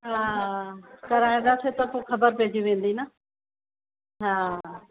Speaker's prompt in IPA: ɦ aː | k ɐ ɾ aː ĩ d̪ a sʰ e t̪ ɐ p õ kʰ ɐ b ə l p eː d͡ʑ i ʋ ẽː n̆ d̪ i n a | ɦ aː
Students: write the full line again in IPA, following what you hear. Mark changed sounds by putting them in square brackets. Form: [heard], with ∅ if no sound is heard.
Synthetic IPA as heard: ɦ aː | k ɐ ɾ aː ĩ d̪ a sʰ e t̪ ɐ p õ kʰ ɐ b ə [ɾ] p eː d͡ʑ i ʋ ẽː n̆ d̪ i n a | ɦ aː